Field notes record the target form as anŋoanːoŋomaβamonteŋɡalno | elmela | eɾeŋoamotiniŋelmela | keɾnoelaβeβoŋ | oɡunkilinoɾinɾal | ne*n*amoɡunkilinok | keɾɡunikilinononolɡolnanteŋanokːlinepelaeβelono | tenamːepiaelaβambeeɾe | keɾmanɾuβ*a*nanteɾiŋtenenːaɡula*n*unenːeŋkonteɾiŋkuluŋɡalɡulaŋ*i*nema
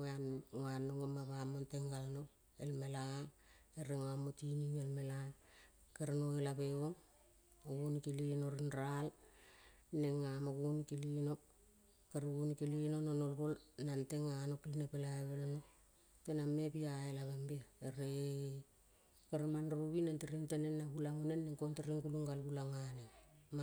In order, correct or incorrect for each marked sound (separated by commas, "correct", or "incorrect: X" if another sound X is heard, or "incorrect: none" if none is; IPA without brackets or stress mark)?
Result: incorrect: ŋ, incorrect: i, incorrect: ŋ, incorrect: a